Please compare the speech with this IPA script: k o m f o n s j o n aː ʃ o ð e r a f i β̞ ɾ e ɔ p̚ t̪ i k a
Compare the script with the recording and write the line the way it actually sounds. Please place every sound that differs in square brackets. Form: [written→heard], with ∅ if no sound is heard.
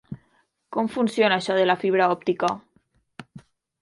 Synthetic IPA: k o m f [o→u] n s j o n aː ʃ [o→ɔ] ð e [r→l] a f i β̞ ɾ [e→a] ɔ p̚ t̪ i k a